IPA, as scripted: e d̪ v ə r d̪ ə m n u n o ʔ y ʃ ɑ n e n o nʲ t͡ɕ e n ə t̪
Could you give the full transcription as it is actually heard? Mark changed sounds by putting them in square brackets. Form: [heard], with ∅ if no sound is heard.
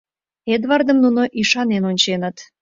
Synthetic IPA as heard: e d̪ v [ɑ] r d̪ ə m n u n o ʔ [i] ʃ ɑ n e n o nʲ t͡ɕ e n ə t̪